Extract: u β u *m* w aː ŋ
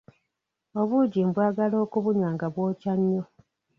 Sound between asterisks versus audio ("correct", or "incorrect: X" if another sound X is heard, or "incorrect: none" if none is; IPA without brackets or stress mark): incorrect: ɲ